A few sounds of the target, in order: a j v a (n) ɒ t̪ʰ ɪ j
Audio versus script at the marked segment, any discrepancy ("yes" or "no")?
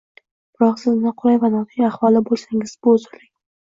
no